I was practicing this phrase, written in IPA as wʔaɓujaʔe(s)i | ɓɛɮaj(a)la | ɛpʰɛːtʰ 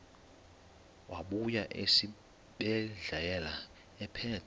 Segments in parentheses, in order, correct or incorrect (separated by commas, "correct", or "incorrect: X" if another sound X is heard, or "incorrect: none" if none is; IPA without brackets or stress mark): correct, incorrect: ɛ